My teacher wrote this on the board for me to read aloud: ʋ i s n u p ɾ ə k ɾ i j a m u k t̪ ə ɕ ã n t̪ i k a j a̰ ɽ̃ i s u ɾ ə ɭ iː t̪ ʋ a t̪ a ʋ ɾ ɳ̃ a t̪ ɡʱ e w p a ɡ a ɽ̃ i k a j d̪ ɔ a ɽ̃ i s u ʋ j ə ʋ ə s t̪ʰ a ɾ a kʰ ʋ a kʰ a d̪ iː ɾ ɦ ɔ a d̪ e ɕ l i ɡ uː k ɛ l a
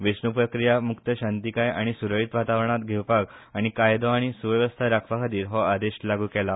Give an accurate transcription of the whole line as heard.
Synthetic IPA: ʋ i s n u p ɾ ə k ɾ i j a m u k t̪ ə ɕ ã n t̪ i k a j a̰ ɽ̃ i s u ɾ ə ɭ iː t̪ ʋ a t̪ a ʋ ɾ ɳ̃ a t̪ ɡʱ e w p a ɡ a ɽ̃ i k a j d̪ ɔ a ɽ̃ i s u ʋ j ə ʋ ə s t̪ʰ a ɾ a kʰ ʋ a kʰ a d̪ iː ɾ ɦ ɔ a d̪ e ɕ l a ɡ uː k ɛ l a